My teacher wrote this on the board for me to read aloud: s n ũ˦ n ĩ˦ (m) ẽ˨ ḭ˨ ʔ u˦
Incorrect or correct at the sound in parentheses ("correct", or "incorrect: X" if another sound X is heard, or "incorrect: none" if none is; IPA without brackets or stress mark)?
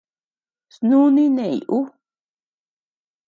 incorrect: n